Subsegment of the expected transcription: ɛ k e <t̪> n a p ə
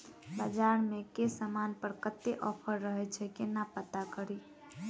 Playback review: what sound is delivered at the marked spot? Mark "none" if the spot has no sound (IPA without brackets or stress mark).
none